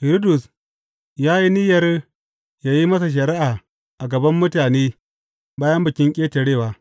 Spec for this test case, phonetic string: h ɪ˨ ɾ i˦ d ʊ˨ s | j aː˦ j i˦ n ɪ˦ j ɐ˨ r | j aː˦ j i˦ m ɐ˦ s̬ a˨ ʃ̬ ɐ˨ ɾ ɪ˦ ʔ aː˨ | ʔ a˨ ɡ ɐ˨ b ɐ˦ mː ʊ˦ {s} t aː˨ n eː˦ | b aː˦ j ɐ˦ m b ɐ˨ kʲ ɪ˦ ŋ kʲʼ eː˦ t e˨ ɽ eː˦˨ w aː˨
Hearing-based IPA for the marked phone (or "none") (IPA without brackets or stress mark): none